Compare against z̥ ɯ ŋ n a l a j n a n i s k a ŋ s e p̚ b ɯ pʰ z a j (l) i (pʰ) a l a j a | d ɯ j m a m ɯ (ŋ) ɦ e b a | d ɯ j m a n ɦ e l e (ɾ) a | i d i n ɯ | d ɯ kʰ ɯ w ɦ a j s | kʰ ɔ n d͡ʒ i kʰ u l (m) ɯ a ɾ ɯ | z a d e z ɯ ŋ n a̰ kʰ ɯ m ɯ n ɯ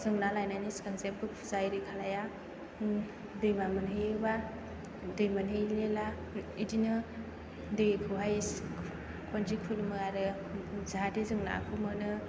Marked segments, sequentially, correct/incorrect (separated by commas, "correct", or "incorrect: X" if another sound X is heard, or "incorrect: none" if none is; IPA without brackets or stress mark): incorrect: ɾ, incorrect: kʰ, incorrect: n, incorrect: l, correct